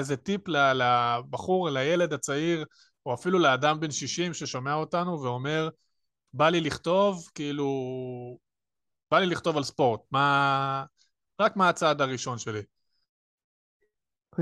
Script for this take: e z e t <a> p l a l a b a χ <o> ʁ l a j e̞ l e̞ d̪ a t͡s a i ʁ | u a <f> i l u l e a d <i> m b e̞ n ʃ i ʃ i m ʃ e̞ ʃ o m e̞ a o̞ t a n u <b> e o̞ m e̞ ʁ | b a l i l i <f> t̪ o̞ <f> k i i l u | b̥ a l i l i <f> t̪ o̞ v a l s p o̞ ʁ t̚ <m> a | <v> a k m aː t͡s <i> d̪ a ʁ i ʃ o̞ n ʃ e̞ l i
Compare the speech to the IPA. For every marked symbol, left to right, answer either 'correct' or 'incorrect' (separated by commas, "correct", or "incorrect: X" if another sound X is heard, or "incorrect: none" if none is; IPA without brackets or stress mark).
incorrect: i, incorrect: u, correct, incorrect: a, incorrect: v, incorrect: χ, incorrect: v, incorrect: χ, correct, incorrect: ʁ, incorrect: a